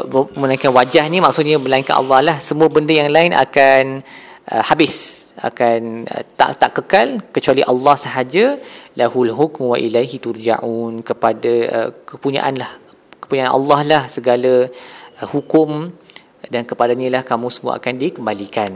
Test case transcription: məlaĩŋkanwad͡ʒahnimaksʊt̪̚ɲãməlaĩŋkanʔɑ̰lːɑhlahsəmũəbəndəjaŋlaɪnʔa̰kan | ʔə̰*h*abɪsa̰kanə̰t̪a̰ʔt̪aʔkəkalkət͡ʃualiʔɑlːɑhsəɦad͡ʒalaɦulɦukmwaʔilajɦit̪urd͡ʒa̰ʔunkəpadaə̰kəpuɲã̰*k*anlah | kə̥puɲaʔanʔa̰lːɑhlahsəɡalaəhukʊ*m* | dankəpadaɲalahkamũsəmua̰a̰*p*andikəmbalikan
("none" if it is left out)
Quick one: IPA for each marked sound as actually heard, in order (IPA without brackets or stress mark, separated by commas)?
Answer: h, ʔ, m, k